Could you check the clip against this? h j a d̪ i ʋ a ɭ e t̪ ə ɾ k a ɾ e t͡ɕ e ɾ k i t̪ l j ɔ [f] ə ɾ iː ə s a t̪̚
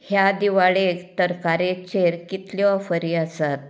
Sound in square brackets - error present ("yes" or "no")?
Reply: no